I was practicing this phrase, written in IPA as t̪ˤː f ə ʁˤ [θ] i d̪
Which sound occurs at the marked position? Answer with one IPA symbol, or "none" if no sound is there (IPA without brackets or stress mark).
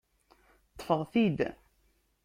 θ